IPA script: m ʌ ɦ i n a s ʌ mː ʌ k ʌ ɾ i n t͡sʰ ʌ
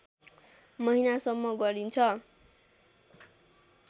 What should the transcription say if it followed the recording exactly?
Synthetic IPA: m ʌ ɦ i n a s ʌ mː ʌ ɡ ʌ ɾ i n t͡sʰ ʌ